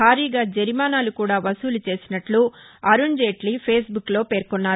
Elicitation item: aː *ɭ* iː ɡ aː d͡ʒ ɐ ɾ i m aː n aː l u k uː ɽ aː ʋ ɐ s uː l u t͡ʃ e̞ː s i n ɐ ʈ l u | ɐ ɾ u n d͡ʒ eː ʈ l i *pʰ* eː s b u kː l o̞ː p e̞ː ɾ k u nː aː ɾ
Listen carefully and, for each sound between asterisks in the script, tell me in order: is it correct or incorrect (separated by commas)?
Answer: incorrect, correct